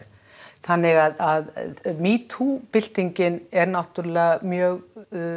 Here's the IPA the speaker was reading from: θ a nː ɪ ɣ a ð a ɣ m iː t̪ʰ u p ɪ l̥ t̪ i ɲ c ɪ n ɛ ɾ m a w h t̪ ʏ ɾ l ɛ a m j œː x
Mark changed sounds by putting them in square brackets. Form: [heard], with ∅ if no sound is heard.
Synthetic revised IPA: θ a nː ɪ ɣ a ð a [ð] m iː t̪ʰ u p ɪ l̥ t̪ i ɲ c ɪ n ɛ ɾ [n] a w h t̪ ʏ ɾ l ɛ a m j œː [ɣ]